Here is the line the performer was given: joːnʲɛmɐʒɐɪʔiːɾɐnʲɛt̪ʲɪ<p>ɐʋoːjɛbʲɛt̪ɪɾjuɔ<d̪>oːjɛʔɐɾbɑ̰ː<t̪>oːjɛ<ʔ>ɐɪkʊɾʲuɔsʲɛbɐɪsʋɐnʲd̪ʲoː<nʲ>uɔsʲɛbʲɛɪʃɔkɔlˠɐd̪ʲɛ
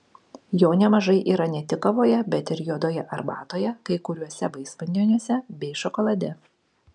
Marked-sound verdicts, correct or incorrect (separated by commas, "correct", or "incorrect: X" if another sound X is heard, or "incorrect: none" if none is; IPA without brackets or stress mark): incorrect: k, correct, correct, incorrect: k, correct